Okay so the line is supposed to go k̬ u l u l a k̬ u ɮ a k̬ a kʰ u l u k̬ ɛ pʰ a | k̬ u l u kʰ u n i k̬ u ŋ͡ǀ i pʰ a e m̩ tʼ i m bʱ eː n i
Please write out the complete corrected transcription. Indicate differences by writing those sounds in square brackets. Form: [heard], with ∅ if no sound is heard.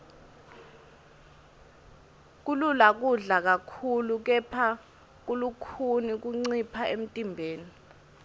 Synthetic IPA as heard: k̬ u l u l a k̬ u ɮ a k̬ a kʰ u l u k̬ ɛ pʰ a | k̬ u l u kʰ u n i k̬ u ŋ͡ǀ i pʰ a e m̩ tʼ i m bʱ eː n i